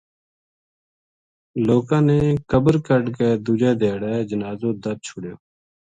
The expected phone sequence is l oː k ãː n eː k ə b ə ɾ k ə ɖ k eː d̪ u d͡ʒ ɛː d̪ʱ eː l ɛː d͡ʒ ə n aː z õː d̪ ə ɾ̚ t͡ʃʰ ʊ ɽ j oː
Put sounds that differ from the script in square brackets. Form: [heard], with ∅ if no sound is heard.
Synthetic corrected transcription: l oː k ãː n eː k ə b ə ɾ k ə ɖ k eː d̪ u d͡ʒ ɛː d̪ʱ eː [ɽ] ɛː d͡ʒ ə n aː z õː d̪ ə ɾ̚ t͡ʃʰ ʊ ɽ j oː

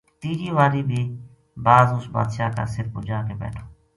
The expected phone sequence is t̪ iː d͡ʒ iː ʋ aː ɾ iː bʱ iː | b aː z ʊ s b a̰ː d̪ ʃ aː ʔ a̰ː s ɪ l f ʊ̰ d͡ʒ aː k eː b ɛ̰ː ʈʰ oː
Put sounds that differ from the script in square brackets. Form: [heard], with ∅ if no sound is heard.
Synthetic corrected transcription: t̪ iː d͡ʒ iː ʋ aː ɾ iː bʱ iː | b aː z ʊ s b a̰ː d̪ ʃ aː [k] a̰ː s ɪ [ɾ] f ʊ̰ d͡ʒ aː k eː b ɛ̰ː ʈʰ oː

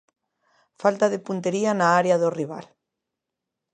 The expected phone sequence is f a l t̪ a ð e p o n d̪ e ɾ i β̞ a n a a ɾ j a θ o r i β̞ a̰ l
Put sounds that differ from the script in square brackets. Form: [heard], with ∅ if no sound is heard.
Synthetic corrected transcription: f a l t̪ a ð e p [u] n [t̪] e ɾ i [∅] a n a a ɾ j a [ð] o r i β̞ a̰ l

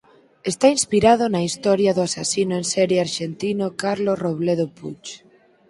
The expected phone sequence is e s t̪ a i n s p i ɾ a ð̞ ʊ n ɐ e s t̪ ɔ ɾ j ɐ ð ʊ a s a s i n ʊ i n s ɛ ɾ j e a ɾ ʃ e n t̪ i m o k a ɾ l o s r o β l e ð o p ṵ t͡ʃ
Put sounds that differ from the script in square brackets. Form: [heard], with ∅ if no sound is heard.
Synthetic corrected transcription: e s t̪ a i n s p i ɾ a ð̞ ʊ n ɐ [i] s t̪ ɔ ɾ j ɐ ð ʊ a s a s i n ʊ [e] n s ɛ ɾ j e a ɾ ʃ e n t̪ i [n] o k a ɾ l o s r o β l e ð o p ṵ t͡ʃ

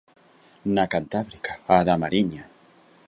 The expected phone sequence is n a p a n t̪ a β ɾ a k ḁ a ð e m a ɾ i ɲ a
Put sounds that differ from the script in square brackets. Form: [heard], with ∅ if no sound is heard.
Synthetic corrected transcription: n a [k] a n t̪ a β ɾ [i] k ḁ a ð [a] m a ɾ i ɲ a

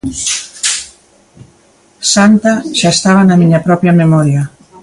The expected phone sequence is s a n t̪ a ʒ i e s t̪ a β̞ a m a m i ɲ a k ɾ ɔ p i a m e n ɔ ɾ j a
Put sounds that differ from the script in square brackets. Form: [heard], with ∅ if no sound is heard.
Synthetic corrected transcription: s a n t̪ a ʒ [a] e s t̪ a β̞ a [n] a m i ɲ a [p] ɾ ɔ p [j] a m e [m] ɔ ɾ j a

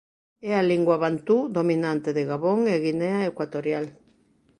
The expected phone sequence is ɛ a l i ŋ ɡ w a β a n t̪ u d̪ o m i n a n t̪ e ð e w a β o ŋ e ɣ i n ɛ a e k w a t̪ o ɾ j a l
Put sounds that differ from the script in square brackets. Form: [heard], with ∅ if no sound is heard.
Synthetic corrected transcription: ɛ a l i ŋ ɡ w a β a n t̪ u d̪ o m i n a n t̪ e ð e [ɣ] a β o ŋ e ɣ i n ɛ a e k w a t̪ o ɾ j a l

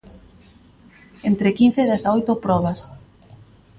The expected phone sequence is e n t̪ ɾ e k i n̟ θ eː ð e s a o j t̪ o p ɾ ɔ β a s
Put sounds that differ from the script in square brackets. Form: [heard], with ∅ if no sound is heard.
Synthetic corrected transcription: e n t̪ ɾ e k i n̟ θ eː ð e [θ] a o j t̪ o p ɾ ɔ β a s

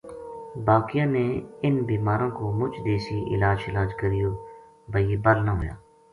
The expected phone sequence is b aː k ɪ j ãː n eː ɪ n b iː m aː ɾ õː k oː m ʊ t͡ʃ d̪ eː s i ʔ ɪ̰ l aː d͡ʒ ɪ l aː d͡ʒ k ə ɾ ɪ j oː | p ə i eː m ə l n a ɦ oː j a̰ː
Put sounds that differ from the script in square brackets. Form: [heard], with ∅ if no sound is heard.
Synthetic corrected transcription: b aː k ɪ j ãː n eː ɪ n b iː m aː ɾ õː k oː m ʊ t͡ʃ d̪ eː s i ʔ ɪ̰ l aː d͡ʒ ɪ l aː d͡ʒ k ə ɾ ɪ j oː | [b] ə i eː [b] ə l n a ɦ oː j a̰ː

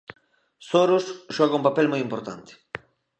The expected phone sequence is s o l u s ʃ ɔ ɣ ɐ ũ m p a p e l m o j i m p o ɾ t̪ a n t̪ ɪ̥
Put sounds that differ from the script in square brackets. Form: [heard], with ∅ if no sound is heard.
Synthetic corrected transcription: s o [ɾ] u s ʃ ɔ ɣ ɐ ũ m p a p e l m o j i m p o ɾ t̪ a n t̪ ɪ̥

